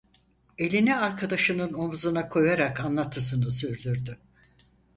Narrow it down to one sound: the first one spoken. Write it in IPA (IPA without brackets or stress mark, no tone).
e̞